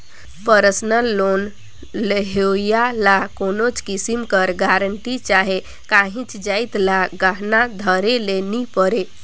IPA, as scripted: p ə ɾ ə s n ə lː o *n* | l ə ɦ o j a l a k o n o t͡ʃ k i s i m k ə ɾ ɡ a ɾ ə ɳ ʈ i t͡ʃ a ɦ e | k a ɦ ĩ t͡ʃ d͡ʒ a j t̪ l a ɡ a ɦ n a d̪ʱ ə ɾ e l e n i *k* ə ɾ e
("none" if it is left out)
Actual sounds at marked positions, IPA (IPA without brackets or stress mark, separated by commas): n, p